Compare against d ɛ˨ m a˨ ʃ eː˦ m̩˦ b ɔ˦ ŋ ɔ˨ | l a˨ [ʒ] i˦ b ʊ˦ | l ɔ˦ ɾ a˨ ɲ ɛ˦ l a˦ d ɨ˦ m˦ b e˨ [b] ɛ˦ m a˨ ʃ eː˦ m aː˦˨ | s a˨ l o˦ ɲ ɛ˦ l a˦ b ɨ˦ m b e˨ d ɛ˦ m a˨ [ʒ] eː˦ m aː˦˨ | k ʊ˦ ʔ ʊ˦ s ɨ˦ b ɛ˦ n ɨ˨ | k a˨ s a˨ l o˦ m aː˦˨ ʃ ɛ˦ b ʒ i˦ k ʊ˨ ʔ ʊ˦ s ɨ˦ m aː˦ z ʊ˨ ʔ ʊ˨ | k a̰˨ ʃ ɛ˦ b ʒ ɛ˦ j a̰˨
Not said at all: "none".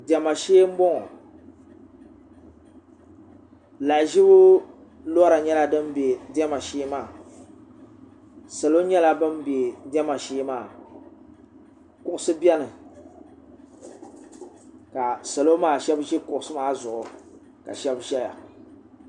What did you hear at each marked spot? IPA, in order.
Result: ʒ, d, ʃ

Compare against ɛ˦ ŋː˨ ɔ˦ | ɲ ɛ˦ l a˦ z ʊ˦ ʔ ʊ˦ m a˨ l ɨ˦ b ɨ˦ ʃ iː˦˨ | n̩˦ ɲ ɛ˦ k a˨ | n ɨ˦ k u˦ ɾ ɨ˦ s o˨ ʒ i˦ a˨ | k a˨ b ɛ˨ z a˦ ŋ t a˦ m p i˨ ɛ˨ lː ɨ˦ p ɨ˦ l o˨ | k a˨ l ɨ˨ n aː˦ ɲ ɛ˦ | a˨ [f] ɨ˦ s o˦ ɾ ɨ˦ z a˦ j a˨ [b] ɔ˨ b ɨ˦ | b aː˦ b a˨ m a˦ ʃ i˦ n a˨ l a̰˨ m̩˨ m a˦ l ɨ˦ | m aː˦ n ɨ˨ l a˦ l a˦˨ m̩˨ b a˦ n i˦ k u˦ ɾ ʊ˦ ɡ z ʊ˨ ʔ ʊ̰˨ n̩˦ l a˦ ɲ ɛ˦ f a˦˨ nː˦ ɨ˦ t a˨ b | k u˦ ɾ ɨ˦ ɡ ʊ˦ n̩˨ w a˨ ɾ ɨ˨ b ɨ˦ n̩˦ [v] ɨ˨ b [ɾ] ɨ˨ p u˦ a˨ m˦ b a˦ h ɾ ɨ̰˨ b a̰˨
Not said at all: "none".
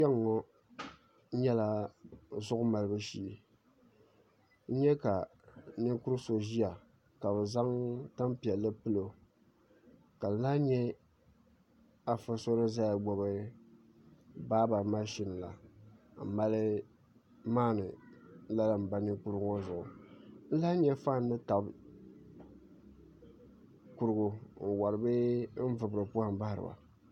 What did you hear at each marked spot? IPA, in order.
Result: f, ɡ͡b, v, ɾ

